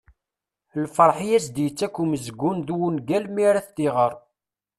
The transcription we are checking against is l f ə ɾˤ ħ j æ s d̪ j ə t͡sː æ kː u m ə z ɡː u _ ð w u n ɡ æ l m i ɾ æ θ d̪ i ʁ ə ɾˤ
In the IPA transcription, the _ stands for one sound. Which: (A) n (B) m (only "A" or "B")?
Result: A